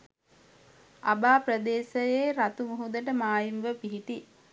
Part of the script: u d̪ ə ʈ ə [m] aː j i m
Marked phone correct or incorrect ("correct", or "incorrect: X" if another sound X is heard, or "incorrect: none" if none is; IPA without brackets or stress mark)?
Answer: correct